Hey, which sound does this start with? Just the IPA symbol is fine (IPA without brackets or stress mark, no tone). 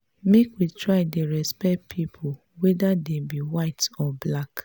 m